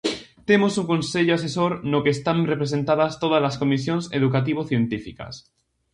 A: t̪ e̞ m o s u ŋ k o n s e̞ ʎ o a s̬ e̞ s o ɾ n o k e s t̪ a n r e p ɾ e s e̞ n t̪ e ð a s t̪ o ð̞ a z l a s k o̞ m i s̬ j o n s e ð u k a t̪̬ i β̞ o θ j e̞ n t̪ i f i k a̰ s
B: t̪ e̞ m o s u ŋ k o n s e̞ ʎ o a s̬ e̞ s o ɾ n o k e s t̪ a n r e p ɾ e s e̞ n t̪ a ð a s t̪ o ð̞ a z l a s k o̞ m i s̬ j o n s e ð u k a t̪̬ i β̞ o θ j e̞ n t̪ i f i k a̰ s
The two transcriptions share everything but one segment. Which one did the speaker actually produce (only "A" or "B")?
B